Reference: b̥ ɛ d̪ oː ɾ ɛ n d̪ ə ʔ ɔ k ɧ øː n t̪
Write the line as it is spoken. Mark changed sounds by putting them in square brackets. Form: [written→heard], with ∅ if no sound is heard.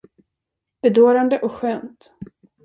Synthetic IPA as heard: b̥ ɛ d̪ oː ɾ [ɛ→a] n d̪ ə ʔ ɔ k ɧ øː n t̪